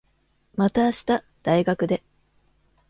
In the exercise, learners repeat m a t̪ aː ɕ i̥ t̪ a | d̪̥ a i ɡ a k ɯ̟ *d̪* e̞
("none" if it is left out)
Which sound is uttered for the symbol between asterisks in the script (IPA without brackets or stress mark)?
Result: d̪